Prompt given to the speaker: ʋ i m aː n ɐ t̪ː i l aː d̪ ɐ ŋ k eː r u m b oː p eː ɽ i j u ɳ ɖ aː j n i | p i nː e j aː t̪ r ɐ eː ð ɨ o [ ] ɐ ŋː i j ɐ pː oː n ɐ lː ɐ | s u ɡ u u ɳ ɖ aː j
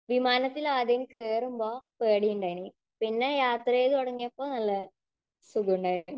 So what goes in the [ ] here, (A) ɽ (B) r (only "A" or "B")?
A